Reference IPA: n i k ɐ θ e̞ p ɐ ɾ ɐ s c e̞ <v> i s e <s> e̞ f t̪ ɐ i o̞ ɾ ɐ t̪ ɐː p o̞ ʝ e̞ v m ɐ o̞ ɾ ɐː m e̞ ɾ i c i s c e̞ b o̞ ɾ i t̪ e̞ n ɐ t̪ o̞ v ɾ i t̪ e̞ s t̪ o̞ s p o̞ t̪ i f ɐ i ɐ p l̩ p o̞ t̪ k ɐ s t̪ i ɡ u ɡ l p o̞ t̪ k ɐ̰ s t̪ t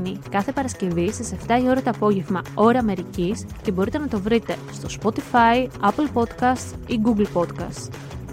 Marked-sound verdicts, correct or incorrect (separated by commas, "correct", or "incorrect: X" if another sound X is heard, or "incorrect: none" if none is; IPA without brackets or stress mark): correct, correct